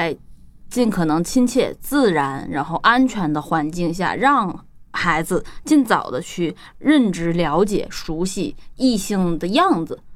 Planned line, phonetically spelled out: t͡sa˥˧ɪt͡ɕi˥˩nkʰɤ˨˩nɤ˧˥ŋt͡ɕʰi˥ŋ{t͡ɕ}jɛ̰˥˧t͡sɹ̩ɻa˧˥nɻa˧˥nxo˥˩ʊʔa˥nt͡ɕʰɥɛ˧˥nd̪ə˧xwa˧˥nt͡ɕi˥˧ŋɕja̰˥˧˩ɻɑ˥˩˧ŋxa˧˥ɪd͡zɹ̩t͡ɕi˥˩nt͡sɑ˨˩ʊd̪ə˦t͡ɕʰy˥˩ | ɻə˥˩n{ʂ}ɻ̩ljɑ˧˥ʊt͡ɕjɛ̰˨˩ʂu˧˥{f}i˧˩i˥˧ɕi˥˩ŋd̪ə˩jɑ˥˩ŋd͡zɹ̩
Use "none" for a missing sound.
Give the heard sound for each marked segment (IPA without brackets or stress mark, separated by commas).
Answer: t͡ɕʰ, ʈ͡ʂ, ɕ